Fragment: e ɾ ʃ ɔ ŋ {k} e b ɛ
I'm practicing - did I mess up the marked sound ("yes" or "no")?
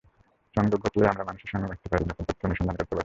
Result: yes